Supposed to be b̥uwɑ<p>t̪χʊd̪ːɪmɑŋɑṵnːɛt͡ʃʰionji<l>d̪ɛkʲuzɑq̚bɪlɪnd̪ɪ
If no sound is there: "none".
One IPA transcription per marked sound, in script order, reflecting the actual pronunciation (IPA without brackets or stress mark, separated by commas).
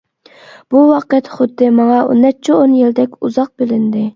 q, l